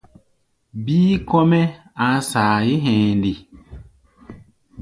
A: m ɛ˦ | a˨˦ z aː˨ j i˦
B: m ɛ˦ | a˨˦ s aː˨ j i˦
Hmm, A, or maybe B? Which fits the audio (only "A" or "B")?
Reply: B